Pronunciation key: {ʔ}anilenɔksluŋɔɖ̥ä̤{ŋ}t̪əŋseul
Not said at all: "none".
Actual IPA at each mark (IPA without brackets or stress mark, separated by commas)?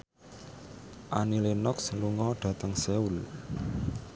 ʔ, none